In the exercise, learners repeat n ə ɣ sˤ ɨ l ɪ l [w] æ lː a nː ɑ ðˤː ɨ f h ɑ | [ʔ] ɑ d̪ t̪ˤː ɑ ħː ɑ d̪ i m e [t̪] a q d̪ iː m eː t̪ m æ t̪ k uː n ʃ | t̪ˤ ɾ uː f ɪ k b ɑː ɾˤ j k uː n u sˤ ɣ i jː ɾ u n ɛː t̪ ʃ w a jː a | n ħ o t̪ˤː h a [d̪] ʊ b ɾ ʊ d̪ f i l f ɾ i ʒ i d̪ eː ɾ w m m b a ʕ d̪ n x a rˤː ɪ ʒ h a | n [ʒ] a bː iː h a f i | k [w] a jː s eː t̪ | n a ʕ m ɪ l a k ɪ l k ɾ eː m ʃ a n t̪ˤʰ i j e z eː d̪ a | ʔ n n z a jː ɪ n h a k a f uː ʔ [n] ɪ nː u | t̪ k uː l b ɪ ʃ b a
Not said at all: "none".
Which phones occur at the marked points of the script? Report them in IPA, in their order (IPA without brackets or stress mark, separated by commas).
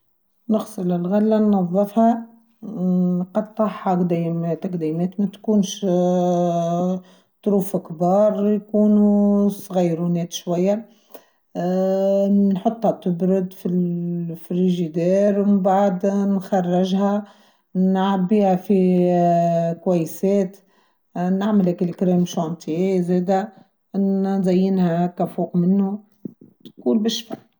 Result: ɣ, q, t̪, t̪, ʕ, w, m